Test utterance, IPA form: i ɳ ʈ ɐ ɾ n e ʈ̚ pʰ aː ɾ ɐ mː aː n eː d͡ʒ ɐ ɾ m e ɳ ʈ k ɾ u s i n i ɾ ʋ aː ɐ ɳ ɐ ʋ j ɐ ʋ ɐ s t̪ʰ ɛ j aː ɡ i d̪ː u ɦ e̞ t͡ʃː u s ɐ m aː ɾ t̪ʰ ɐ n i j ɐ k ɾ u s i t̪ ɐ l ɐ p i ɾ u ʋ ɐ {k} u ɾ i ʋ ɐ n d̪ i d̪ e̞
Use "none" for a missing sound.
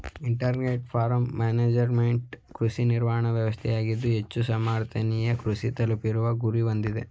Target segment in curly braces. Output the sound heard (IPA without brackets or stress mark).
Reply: ɡ